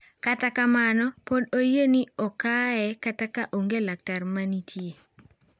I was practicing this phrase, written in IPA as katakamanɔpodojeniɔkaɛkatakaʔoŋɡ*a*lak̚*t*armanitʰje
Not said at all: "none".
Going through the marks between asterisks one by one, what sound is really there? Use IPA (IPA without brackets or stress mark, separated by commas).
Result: e, t